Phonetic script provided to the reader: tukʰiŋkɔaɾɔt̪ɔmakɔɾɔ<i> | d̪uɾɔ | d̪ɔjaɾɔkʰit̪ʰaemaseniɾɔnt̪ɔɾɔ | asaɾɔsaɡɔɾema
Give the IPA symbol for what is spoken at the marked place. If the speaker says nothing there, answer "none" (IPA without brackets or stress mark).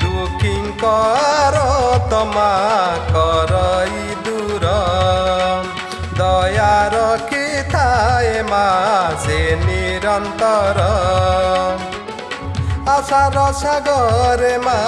i